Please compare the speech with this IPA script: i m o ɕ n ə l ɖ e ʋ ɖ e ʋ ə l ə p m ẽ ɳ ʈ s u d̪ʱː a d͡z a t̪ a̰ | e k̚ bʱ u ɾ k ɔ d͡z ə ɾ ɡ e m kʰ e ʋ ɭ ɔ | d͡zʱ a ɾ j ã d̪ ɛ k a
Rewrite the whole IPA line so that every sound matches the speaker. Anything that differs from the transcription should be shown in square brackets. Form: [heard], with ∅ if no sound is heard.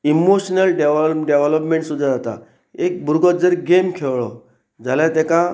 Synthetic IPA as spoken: i m o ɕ n ə l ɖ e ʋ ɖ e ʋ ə l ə p m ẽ ɳ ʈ s u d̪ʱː a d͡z a t̪ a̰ | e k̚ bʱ u ɾ [ɡ] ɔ d͡z ə ɾ ɡ e m kʰ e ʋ ɭ ɔ | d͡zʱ a [l] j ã [t̪] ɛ k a